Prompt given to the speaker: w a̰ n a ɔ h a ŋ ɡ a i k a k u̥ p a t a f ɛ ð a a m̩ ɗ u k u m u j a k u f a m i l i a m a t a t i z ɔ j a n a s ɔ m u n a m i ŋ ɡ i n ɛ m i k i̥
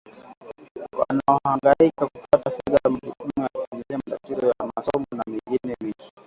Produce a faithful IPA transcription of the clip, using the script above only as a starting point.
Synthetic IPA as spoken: w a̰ n a ɔ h a ŋ ɡ a i k a k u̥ p a t a f ɛ ð a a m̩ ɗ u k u m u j a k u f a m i l i a m a t a t i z ɔ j a m a s ɔ m ɔ n a m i ŋ ɡ i n ɛ m i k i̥